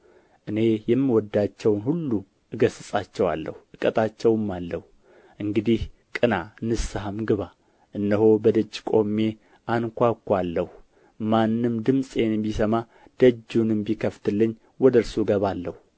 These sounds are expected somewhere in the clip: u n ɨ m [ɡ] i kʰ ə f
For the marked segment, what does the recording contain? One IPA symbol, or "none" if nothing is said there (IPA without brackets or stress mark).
b